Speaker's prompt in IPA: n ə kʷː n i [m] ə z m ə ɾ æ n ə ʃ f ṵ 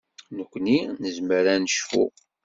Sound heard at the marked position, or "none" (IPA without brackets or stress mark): n